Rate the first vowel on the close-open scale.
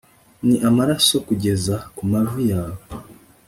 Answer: close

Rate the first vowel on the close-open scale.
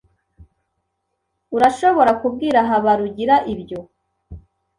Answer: close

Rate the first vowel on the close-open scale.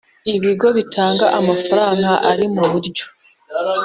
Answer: close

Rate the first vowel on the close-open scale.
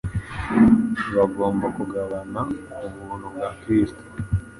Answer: open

